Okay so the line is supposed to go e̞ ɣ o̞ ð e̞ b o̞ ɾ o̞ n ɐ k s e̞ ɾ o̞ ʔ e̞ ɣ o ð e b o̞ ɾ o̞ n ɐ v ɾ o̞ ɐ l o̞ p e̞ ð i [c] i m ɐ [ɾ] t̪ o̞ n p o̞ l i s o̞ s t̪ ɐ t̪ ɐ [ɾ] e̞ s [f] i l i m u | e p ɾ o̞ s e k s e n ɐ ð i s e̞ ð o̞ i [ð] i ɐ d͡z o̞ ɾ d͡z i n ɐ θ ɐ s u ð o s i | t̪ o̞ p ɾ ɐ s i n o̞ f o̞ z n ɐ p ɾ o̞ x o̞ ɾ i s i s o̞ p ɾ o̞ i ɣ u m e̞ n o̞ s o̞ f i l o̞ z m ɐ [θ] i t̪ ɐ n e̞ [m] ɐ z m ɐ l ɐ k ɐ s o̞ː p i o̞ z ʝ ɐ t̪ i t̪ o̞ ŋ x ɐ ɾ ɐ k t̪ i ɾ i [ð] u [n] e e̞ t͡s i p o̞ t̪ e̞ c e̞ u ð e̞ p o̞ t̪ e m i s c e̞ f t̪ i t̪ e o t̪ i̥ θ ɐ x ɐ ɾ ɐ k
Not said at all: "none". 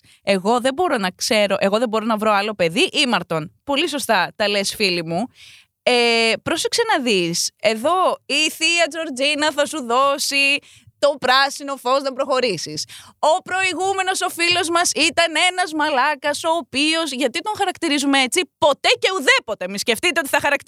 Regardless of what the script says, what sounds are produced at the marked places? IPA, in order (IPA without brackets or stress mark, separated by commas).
ʔ, ɾ, l, f, θ, s, n, z, m